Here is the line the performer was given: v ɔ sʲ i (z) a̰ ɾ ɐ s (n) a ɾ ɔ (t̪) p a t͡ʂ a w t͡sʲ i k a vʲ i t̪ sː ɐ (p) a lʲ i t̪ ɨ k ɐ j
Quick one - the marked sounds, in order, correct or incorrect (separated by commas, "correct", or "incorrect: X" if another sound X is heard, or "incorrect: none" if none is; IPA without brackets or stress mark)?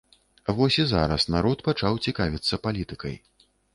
correct, correct, correct, correct